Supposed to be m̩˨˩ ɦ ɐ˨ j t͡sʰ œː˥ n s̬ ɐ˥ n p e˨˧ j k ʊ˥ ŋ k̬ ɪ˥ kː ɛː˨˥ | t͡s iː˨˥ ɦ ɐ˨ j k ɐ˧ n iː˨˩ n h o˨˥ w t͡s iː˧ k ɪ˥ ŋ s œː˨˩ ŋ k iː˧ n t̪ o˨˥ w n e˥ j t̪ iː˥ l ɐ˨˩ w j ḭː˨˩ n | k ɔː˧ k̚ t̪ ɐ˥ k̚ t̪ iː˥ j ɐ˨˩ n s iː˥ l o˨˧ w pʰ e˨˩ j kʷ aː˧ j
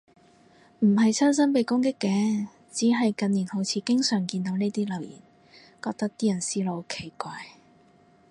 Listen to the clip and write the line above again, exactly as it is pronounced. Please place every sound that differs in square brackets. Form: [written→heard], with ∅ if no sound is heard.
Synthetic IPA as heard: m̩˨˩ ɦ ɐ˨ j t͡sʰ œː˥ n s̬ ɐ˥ n p e˨˧ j k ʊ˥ ŋ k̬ ɪ˥ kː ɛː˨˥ | t͡s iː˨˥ ɦ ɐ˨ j k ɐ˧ n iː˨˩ n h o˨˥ w [t͡s→t͡sʰ] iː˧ k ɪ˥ ŋ s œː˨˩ ŋ k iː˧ n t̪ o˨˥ w n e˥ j t̪ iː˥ l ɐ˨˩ w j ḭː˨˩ n | k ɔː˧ k̚ t̪ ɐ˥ k̚ t̪ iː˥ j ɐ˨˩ n s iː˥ l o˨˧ w [pʰ→kʰ] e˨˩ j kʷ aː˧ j